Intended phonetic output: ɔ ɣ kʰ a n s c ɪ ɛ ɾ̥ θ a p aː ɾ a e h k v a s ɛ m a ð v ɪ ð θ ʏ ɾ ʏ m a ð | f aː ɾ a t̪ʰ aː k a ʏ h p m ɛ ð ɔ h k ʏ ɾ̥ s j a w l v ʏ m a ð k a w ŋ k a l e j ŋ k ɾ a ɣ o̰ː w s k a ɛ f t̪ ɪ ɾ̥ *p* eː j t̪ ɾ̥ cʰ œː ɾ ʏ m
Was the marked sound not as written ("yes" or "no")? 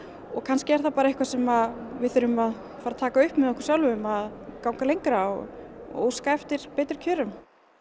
no